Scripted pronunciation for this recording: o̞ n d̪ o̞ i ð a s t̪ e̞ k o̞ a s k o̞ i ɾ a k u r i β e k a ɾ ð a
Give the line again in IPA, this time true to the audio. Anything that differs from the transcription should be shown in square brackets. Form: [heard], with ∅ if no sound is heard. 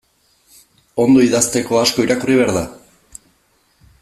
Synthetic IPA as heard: o̞ n d̪ o̞ i ð a s t̪ e̞ k o̞ a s k o̞ i ɾ a k u r i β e [∅] a ɾ ð a